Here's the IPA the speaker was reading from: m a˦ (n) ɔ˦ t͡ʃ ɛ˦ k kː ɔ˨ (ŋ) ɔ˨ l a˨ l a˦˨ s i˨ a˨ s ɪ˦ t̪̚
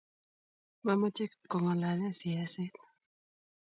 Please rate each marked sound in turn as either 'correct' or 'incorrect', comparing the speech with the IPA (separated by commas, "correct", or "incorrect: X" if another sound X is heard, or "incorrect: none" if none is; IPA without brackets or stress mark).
incorrect: m, correct